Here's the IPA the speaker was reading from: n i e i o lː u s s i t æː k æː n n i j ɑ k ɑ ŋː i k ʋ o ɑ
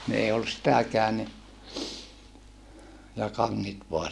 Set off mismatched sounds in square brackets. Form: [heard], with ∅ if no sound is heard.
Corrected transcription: n i e i o lː u s s i t [æ] k æː n n i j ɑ k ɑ ŋː i [t] ʋ o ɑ